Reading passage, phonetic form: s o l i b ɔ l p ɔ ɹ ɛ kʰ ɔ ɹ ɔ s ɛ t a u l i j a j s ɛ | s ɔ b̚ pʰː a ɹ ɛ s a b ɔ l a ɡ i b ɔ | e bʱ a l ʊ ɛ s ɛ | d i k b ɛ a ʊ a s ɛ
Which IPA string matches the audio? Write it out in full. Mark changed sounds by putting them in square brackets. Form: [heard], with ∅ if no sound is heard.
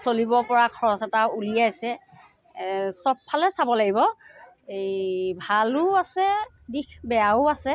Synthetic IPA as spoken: s o l i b ɔ [∅] p ɔ ɹ [a] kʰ ɔ ɹ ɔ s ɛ t a u l i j a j s ɛ | s ɔ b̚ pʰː a [l] ɛ s a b ɔ l a ɡ i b ɔ | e bʱ a l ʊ [a] s ɛ | d i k b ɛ a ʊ a s ɛ